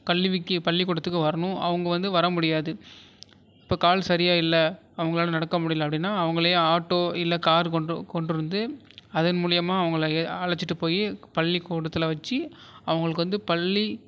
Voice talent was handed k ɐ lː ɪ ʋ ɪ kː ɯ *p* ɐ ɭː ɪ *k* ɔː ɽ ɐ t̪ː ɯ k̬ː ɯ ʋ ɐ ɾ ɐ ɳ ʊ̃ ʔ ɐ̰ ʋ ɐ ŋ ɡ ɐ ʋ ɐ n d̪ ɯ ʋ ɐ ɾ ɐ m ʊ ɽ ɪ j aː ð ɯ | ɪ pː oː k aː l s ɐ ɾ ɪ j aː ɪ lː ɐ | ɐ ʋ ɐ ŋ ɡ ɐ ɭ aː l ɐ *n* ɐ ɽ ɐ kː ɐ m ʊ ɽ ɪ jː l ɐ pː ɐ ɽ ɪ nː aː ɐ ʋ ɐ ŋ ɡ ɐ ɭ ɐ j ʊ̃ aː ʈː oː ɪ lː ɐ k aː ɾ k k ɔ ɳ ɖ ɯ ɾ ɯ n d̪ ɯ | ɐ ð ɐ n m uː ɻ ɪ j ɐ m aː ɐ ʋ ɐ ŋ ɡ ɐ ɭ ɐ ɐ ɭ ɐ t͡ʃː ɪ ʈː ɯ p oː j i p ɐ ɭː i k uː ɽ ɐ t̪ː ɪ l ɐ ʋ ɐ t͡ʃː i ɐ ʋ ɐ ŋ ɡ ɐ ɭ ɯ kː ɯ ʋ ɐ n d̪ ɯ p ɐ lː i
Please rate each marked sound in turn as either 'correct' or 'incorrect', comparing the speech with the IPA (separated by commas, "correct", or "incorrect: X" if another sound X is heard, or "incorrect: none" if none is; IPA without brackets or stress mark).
correct, correct, correct